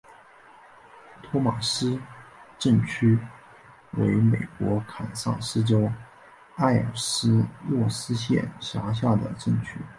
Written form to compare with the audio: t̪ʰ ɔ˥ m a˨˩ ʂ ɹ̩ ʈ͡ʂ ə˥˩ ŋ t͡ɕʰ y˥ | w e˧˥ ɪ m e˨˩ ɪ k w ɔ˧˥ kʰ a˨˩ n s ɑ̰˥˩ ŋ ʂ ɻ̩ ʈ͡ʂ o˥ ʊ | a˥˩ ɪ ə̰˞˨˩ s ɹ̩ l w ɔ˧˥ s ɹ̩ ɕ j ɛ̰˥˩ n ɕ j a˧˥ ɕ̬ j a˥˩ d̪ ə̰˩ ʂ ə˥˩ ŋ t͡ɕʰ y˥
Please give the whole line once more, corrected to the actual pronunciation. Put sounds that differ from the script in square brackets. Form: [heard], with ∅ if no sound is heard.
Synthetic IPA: t̪ʰ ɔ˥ m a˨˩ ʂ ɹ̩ ʈ͡ʂ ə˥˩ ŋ t͡ɕʰ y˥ | w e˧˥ ɪ m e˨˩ ɪ k w ɔ˧˥ kʰ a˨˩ n s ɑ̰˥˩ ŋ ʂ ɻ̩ ʈ͡ʂ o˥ ʊ | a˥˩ ɪ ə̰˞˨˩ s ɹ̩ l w [ɔ˥˩] s ɹ̩ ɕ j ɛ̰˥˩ n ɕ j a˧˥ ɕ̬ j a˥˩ d̪ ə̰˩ [ʈ͡ʂ] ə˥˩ ŋ t͡ɕʰ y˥